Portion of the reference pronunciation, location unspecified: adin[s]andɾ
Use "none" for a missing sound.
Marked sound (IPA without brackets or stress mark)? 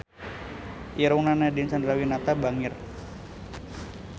s